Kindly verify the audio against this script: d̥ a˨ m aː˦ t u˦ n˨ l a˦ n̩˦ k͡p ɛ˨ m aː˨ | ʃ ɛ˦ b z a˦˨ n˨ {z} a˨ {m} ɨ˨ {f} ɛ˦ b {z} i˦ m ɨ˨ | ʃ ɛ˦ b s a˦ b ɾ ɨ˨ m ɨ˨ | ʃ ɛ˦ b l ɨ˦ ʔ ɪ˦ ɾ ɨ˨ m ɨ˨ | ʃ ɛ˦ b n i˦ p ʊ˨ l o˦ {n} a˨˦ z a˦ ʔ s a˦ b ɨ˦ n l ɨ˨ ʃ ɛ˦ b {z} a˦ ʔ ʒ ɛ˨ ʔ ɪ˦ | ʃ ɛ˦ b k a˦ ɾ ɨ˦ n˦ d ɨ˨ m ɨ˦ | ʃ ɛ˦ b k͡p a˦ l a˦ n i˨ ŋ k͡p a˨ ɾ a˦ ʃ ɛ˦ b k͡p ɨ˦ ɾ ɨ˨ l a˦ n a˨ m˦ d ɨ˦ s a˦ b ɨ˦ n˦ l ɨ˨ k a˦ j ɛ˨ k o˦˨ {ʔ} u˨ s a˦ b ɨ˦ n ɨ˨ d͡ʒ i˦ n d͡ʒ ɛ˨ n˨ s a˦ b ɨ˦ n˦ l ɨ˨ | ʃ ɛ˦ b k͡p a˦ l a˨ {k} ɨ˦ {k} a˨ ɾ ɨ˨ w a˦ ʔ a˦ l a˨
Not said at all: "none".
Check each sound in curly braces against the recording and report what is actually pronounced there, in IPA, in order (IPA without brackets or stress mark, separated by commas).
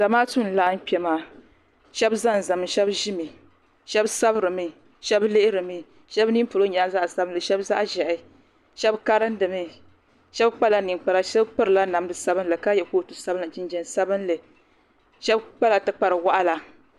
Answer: z, m, ʃ, ʒ, ɲ, z, t, t, k͡p